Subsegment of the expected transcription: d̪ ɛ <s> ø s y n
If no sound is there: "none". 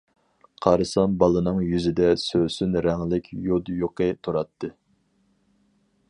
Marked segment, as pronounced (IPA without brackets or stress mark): s